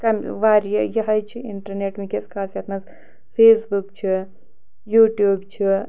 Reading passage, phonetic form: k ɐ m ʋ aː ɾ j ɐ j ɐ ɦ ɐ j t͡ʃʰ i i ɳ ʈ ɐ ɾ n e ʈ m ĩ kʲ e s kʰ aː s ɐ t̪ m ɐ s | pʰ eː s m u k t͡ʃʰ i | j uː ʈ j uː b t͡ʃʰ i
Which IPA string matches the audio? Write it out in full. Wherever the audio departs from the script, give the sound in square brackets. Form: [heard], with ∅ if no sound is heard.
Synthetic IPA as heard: k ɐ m ʋ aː ɾ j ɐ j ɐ ɦ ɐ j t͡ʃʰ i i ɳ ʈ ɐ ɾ n e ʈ m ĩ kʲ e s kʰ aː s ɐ t̪ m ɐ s | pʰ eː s [b] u k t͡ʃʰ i | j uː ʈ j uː b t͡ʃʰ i